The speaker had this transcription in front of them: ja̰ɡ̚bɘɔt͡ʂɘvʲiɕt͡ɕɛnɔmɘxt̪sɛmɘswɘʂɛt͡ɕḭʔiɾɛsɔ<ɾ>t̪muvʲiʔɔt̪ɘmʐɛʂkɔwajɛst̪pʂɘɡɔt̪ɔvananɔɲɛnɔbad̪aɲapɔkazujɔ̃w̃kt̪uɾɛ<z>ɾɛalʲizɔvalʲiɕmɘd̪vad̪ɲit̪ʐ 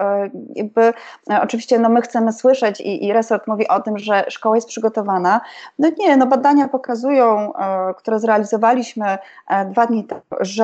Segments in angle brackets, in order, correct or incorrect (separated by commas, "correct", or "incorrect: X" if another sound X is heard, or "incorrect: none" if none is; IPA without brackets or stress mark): correct, correct